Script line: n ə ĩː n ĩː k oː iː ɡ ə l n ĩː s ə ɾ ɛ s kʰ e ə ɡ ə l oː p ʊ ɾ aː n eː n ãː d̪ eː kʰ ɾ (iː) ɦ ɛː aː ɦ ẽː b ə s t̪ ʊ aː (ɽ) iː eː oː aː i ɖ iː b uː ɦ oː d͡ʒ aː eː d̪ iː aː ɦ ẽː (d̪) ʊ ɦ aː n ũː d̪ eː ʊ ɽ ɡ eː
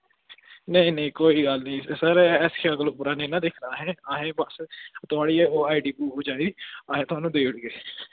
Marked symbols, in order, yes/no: no, yes, no

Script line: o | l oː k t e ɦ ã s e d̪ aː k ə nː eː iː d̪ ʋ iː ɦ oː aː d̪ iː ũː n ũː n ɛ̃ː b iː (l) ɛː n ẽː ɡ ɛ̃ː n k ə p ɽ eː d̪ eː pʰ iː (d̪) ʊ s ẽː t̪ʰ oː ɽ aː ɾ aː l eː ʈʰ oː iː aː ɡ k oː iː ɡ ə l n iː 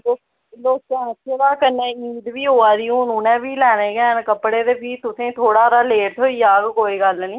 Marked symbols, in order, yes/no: yes, no

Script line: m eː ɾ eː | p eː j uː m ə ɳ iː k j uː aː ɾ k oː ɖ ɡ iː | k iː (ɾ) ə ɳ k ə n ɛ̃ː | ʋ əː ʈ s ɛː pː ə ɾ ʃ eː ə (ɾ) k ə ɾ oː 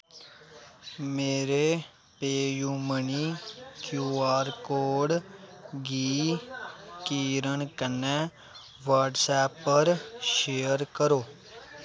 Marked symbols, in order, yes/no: yes, yes

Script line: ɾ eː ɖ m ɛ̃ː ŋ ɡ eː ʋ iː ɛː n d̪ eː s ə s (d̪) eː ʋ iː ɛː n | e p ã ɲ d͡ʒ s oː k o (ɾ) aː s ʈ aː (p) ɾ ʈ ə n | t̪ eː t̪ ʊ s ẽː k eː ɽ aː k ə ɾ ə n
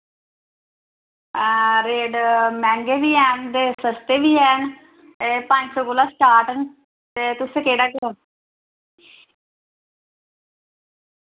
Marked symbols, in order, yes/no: no, no, no

